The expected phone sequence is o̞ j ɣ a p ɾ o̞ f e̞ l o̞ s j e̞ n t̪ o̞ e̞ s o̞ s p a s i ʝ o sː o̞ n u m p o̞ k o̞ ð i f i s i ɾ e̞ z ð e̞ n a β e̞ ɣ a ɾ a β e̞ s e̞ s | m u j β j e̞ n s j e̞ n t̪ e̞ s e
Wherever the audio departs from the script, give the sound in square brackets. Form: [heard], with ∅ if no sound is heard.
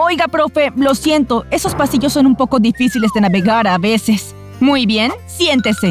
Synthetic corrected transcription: o̞ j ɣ a p ɾ o̞ f e̞ l o̞ s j e̞ n t̪ o̞ e̞ s o̞ s p a s i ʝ o sː o̞ n u m p o̞ k o̞ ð i f i s i [l] e̞ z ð e̞ n a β e̞ ɣ a ɾ a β e̞ s e̞ s | m u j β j e̞ n s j e̞ n t̪ e̞ s e